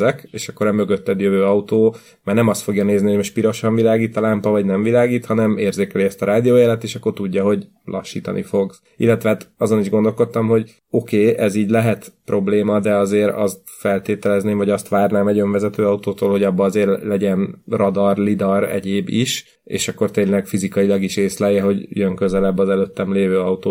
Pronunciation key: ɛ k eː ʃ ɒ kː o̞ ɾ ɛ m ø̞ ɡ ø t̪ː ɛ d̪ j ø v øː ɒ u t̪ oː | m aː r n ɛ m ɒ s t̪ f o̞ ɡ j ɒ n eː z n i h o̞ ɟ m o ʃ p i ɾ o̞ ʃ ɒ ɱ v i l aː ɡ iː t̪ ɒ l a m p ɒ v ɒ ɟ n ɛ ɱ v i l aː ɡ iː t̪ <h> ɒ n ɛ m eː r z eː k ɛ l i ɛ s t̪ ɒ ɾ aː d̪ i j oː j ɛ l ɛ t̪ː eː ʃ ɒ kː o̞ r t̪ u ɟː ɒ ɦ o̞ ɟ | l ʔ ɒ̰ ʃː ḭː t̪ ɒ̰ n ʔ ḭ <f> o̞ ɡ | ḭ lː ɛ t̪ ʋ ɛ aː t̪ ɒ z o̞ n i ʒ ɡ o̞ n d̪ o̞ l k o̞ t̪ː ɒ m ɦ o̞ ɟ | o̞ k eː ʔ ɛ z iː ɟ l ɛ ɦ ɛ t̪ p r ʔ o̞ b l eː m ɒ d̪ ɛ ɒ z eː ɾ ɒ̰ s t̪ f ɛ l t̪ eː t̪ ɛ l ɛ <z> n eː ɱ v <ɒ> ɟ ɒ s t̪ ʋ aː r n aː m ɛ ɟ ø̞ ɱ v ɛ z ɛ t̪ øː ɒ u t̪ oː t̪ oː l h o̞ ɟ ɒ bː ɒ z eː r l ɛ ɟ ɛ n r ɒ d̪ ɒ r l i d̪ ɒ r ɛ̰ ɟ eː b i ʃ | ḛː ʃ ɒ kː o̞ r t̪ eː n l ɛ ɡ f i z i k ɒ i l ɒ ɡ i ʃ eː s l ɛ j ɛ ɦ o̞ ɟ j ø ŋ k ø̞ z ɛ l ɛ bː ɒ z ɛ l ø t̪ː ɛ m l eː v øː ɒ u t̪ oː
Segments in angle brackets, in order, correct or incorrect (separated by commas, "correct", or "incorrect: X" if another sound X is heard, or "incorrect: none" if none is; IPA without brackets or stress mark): correct, correct, correct, correct